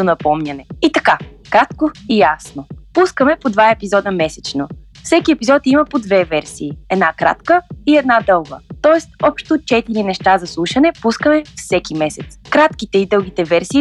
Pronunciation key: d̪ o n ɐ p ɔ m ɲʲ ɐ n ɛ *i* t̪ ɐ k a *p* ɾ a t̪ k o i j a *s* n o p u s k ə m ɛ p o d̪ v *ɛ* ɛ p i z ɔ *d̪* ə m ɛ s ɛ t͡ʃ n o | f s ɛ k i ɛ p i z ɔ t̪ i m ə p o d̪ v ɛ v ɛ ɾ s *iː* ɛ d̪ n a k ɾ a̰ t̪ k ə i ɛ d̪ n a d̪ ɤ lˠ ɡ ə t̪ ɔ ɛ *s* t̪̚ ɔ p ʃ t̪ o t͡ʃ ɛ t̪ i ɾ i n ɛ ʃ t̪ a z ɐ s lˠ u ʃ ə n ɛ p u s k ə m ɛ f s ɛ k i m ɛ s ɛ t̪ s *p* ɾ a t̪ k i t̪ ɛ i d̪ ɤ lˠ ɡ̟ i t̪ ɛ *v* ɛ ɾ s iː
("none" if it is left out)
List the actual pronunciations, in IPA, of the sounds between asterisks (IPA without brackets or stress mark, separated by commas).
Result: i, k, s, a, d̪, iː, s, k, v